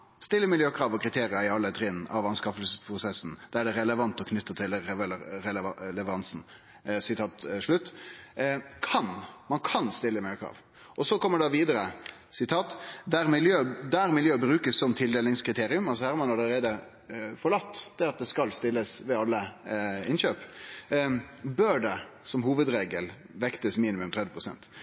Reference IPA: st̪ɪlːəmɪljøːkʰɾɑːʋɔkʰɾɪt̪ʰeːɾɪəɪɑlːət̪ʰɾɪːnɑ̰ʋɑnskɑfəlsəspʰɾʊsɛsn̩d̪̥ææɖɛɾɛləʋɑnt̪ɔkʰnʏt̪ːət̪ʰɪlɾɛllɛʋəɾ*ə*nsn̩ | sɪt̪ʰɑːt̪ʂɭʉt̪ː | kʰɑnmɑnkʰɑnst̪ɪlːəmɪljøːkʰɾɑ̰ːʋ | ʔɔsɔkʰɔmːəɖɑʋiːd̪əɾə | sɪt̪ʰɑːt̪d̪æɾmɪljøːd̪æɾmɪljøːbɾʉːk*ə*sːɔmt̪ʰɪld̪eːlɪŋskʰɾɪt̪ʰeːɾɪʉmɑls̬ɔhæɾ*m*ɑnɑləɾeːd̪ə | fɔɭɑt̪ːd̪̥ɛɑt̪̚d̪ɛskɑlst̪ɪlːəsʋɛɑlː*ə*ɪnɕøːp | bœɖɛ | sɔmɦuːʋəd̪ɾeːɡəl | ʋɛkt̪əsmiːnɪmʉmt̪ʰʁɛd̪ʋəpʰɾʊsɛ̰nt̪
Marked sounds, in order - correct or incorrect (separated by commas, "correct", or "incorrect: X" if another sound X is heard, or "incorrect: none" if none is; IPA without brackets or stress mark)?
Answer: incorrect: ɑ, correct, correct, correct